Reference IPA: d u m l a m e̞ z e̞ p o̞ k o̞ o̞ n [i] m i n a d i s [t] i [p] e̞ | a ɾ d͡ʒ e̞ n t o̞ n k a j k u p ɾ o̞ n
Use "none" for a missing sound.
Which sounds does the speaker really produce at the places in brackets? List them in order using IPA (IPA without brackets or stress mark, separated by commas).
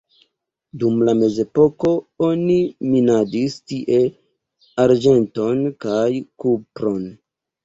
i, t, ʔ